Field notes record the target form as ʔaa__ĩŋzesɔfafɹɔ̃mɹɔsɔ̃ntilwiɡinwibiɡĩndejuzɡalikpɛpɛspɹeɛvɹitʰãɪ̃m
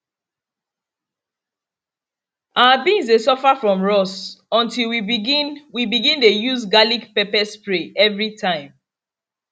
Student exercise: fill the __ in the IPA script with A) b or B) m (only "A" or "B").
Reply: A